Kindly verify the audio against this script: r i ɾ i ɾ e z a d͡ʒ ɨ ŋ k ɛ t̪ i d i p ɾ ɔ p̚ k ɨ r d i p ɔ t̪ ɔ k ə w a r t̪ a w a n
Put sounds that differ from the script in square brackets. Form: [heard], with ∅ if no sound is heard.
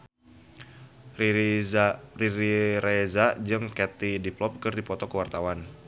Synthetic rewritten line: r i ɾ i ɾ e z a d͡ʒ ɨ ŋ k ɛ t̪ i d i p [l] ɔ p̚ k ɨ r d i p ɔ t̪ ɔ k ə w a r t̪ a w a n